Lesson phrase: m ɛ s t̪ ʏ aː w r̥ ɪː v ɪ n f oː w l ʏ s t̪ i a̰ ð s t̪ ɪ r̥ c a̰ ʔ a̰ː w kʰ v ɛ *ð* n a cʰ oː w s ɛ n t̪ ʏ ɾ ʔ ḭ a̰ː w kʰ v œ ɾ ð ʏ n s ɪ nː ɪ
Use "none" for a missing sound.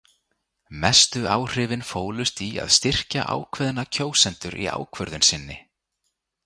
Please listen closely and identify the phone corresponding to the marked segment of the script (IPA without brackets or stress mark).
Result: ð